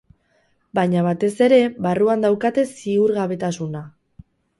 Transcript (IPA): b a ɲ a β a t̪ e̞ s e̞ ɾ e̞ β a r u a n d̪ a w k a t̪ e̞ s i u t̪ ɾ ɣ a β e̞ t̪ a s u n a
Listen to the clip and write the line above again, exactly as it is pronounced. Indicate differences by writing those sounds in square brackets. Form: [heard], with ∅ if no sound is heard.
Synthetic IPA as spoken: b a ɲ a β a t̪ e̞ s e̞ ɾ e̞ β a r u a n d̪ a w k a t̪ e̞ s i u [∅] ɾ ɣ a β e̞ t̪ a s u n a